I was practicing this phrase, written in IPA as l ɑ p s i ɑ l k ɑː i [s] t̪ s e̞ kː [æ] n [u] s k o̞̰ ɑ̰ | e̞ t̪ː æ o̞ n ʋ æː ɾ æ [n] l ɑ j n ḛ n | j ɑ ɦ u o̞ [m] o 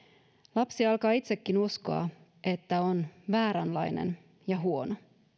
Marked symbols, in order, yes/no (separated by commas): no, no, yes, yes, no